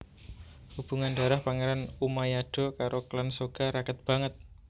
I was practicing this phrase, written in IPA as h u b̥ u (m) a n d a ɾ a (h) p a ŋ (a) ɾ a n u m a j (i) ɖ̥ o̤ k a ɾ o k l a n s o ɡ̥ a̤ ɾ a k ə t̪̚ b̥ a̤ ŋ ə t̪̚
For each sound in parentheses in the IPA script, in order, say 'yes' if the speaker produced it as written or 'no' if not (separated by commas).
no, yes, no, no